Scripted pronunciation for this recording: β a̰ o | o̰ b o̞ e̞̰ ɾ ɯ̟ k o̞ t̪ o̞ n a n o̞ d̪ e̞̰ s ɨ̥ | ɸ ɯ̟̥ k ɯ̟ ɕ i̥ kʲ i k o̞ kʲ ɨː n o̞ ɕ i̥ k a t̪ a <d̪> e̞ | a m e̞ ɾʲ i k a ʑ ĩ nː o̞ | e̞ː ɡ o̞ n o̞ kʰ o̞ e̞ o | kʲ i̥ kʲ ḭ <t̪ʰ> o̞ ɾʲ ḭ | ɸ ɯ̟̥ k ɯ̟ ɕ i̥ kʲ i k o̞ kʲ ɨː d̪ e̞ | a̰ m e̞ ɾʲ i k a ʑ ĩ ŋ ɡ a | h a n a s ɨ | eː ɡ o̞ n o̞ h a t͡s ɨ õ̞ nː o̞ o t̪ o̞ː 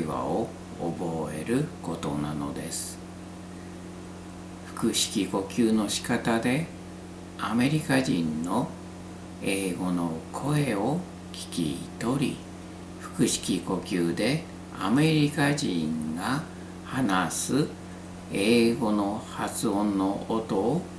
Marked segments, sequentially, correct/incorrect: correct, incorrect: t̪

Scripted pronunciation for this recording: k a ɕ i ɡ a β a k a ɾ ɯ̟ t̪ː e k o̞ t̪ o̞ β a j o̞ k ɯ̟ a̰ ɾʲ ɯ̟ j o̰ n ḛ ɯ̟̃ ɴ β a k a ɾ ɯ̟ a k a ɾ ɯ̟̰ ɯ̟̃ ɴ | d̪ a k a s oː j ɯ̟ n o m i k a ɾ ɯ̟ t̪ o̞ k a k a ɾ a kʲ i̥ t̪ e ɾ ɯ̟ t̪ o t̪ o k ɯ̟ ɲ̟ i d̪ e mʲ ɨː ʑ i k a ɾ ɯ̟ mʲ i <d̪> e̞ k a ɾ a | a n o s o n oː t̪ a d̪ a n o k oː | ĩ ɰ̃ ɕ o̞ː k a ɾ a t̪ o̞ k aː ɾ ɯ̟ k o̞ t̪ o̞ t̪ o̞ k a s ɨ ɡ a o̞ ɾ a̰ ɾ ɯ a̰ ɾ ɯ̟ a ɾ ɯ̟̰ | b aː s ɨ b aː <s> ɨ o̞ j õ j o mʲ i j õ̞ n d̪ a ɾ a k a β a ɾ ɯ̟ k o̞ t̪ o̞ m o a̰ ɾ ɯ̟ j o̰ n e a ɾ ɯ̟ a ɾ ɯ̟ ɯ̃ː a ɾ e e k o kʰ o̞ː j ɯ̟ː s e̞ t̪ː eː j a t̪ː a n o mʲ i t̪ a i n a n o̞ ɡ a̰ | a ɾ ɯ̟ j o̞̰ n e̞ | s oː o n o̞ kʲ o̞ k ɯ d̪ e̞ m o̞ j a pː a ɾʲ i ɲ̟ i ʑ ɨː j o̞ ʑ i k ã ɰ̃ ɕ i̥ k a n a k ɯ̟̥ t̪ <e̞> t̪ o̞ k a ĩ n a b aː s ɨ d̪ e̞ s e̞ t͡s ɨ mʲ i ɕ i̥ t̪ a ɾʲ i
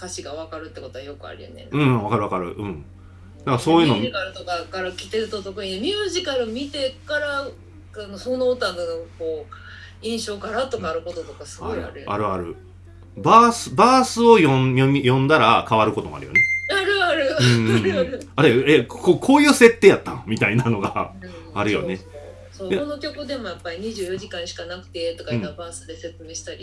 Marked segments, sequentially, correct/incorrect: incorrect: t̪, correct, correct

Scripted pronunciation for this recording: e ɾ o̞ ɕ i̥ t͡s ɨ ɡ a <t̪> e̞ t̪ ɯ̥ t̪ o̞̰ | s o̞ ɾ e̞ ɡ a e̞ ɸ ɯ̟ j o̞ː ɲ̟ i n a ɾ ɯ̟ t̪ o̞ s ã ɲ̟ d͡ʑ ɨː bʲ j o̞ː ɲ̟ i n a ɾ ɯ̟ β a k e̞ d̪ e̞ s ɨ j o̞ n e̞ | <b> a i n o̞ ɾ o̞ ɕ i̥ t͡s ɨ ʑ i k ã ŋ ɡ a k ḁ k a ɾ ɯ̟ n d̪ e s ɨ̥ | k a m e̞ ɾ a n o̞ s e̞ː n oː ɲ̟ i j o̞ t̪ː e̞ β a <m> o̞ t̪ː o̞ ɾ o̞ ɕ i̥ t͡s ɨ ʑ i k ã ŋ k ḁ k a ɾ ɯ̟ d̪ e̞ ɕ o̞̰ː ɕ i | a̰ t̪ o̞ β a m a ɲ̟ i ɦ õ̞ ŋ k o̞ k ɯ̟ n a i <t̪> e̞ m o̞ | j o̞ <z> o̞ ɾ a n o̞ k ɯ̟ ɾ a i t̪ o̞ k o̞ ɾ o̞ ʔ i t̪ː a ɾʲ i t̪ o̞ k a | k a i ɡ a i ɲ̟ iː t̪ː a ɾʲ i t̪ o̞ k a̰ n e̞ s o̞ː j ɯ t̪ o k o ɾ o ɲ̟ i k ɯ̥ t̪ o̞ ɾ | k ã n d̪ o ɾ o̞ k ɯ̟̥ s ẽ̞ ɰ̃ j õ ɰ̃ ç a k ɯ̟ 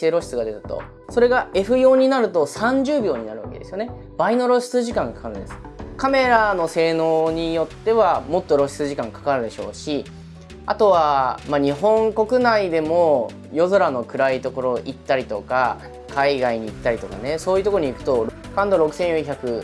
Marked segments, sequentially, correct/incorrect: incorrect: d̪, correct, correct, incorrect: d̪, correct

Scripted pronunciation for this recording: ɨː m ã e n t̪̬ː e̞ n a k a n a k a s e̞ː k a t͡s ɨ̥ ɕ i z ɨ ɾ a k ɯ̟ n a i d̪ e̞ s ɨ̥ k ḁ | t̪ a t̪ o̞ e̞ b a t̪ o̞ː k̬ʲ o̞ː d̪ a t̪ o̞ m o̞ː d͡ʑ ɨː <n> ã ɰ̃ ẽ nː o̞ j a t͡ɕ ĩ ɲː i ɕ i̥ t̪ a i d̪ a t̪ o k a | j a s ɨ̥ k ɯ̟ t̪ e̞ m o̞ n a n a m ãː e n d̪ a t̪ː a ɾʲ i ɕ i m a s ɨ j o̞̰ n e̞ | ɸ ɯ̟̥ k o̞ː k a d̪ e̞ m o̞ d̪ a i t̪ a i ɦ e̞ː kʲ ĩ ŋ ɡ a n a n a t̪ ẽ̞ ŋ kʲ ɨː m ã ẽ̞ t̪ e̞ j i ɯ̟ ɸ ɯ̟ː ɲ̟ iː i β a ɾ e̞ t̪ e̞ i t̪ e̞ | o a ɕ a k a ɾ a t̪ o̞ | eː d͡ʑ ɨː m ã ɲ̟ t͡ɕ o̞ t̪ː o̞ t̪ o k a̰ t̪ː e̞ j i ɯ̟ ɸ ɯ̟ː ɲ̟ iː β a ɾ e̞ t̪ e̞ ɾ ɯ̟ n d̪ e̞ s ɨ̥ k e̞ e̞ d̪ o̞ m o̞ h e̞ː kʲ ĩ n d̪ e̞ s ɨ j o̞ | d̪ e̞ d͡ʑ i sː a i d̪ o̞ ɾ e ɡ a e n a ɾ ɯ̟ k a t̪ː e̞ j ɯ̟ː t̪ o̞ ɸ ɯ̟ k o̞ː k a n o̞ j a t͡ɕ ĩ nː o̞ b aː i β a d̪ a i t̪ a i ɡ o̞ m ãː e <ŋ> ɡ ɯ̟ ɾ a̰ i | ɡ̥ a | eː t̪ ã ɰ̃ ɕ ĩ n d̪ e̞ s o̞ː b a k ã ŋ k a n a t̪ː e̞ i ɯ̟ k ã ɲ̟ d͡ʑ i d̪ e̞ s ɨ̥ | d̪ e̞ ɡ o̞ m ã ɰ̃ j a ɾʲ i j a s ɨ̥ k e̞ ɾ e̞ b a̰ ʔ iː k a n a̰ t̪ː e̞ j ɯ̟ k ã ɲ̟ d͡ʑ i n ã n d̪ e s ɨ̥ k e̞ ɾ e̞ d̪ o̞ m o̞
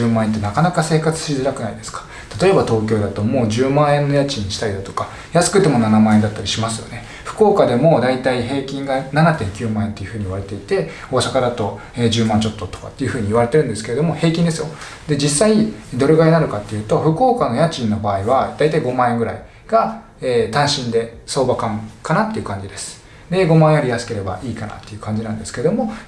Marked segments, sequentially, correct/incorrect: incorrect: m, correct

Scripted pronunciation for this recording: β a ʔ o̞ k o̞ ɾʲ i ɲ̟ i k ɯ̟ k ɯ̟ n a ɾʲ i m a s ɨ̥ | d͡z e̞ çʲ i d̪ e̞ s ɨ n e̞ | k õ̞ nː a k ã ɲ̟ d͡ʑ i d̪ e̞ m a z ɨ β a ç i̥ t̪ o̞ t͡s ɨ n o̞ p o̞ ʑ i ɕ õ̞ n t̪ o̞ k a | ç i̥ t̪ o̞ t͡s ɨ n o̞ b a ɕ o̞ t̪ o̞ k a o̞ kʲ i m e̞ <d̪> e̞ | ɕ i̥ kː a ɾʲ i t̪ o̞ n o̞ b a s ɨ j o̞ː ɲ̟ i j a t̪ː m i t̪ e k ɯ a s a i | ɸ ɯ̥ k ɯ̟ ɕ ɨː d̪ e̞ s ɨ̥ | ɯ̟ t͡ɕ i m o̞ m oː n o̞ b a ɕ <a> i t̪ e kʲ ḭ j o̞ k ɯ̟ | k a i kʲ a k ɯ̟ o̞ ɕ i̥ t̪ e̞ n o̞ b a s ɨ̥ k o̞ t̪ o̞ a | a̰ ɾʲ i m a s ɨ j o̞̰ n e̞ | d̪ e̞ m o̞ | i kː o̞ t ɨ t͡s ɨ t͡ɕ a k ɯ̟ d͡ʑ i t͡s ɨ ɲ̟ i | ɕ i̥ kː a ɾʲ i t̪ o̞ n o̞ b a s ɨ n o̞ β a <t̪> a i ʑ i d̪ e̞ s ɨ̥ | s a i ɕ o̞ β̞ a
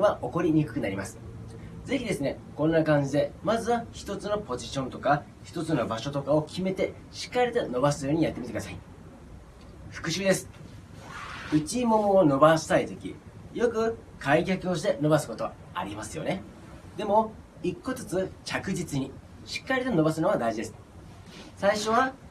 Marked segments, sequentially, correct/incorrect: incorrect: t̪, correct, incorrect: d̪

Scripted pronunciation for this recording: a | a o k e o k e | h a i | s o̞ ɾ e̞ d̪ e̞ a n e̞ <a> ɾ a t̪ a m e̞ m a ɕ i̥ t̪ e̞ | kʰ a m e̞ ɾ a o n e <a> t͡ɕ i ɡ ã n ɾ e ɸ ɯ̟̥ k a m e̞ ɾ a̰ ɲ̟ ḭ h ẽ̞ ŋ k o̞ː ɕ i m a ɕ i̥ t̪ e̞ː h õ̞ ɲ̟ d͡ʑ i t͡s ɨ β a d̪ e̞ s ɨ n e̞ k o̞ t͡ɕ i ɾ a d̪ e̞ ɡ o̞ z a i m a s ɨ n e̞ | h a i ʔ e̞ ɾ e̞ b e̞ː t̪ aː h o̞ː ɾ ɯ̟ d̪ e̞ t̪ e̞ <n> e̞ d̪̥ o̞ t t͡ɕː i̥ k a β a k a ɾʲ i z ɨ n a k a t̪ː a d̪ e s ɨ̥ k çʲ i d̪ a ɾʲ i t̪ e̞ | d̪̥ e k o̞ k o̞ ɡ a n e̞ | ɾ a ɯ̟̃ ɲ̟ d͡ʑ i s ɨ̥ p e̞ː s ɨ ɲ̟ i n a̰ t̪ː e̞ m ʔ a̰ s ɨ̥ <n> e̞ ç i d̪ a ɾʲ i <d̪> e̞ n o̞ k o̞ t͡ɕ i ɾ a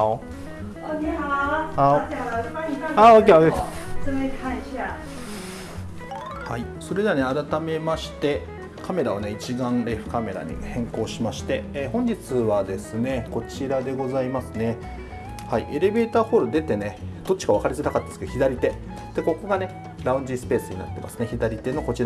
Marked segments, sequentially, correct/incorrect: correct, incorrect: i, correct, correct, incorrect: t̪

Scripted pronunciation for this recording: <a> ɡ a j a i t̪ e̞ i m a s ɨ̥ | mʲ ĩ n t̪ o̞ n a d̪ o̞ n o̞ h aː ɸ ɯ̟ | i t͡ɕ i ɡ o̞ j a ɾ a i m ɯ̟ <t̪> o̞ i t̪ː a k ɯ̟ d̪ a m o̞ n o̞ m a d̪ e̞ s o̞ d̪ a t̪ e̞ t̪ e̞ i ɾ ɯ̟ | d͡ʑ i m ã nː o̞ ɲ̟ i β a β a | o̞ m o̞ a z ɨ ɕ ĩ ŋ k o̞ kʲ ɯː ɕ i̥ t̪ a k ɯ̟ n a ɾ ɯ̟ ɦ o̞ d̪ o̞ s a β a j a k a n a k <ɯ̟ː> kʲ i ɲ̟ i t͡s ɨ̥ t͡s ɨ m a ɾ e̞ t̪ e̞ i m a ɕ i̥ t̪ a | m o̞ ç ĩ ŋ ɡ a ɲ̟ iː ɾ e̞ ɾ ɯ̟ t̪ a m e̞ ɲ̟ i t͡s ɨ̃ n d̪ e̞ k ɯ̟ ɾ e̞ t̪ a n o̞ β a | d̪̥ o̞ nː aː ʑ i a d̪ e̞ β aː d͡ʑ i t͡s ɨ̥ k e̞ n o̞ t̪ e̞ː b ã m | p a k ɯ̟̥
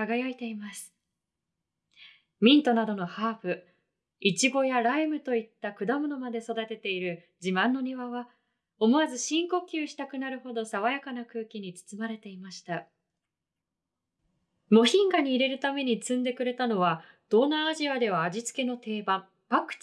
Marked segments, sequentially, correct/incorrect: correct, correct, correct

